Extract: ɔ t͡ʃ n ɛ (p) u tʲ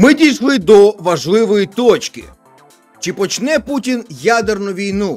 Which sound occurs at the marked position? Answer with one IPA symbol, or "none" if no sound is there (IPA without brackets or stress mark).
p